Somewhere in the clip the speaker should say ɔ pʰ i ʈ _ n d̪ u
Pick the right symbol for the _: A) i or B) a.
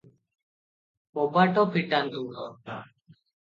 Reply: B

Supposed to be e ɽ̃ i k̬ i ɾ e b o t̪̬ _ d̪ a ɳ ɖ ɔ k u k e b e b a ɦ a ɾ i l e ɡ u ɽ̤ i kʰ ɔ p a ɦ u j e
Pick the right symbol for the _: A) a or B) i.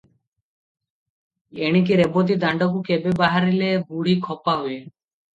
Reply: B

